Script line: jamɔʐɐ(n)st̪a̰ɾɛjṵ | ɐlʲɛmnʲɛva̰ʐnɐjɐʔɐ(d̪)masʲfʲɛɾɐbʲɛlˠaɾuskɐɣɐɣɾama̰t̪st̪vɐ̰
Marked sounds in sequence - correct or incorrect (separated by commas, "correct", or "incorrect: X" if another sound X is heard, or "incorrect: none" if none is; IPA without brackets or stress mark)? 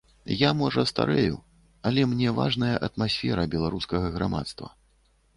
incorrect: none, incorrect: t̪